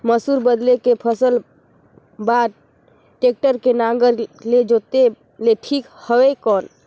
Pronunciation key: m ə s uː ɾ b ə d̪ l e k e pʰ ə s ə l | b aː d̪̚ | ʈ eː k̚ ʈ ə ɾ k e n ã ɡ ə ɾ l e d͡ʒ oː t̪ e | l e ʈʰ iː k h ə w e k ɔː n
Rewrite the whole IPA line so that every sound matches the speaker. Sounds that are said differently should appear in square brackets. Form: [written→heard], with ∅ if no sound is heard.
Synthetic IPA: m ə s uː ɾ b ə d̪ l e k e pʰ ə s ə l | b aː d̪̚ | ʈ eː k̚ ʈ ə ɾ k e n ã ɡ ə ɾ l e d͡ʒ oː t̪ e | l e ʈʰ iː k h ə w e k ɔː n